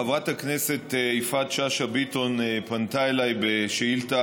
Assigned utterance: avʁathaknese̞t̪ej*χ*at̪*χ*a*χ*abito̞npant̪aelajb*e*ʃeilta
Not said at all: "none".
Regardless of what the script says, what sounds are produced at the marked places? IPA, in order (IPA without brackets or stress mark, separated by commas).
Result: f, ʃ, ʃ, e